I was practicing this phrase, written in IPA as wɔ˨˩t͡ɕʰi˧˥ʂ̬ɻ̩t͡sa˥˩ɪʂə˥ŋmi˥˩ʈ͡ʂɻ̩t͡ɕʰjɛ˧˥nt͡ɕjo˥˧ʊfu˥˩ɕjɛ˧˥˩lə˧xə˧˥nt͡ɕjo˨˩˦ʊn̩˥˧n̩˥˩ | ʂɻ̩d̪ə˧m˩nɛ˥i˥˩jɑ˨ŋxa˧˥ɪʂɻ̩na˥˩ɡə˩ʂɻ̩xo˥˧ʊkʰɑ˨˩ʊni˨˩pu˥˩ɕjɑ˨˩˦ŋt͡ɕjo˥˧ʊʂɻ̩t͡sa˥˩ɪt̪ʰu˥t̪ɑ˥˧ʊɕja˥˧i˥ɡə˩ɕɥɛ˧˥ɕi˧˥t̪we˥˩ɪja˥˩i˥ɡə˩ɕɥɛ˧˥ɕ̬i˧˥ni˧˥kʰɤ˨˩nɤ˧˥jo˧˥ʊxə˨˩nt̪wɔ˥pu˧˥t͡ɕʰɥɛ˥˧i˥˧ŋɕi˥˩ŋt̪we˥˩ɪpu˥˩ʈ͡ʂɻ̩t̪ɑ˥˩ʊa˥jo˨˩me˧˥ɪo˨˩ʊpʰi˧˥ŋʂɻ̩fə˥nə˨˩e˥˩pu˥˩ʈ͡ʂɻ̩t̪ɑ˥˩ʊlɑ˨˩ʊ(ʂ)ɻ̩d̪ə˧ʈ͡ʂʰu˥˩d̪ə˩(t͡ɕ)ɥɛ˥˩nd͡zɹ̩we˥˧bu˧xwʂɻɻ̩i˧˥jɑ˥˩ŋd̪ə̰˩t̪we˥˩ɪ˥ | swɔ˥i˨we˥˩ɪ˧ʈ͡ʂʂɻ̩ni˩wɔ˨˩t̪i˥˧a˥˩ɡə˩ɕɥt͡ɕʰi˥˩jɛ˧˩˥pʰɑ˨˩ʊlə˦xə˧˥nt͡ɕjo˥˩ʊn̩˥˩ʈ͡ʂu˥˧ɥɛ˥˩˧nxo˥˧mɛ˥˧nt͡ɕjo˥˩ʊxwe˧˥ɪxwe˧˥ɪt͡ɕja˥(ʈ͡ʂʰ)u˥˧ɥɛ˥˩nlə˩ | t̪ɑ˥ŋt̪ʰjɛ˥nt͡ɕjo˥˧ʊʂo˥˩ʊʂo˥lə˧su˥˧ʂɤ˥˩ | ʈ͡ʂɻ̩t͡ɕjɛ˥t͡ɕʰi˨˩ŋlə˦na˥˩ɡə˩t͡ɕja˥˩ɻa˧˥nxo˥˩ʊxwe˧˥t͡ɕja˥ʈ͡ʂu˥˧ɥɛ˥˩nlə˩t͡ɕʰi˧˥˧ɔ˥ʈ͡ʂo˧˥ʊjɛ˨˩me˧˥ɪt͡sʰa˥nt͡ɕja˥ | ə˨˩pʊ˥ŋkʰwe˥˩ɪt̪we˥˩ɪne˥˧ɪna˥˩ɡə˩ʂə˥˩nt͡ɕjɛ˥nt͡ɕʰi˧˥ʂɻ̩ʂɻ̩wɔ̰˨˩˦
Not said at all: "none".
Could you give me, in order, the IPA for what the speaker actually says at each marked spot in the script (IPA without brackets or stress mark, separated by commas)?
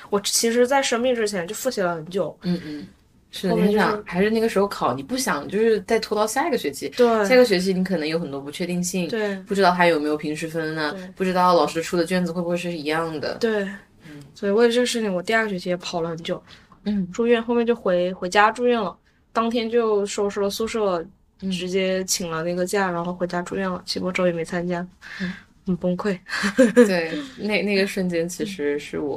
ʂ, t͡ɕ, ʈ͡ʂ